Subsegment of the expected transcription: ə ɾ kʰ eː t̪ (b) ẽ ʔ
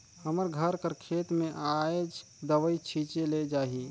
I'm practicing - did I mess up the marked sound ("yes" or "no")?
yes